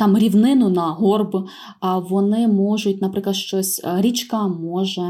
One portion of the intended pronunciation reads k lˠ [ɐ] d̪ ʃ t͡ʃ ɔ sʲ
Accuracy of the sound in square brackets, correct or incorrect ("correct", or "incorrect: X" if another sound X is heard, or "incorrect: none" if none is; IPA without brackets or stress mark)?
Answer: correct